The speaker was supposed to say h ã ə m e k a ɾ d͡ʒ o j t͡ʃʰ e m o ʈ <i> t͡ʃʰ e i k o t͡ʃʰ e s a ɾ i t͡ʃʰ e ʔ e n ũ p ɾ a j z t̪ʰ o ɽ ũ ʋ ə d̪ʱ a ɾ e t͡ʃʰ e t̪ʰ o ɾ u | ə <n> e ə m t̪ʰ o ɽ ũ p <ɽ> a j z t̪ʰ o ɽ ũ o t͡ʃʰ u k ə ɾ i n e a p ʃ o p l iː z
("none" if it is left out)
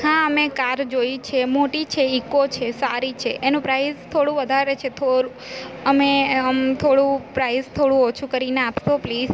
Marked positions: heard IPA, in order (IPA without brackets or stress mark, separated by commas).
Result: i, m, ɾ